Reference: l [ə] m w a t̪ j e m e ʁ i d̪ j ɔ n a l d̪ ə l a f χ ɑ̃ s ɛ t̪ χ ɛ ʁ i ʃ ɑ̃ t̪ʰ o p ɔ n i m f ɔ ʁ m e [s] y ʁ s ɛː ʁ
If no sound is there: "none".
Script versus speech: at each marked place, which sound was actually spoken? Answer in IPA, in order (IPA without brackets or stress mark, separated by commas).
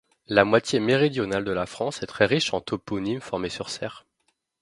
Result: a, s